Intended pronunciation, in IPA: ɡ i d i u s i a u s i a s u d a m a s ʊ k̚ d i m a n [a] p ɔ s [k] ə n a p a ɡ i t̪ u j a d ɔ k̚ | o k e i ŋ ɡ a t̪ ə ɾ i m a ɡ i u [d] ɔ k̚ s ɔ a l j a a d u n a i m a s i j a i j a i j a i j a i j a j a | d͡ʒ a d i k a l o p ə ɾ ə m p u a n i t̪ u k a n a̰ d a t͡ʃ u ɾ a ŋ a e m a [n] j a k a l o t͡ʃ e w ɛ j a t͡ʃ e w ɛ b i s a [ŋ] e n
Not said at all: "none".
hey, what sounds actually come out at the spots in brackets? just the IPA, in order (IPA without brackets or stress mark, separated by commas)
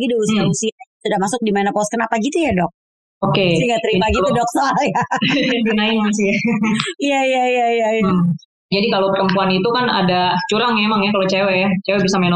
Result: a, k, d, ŋ, m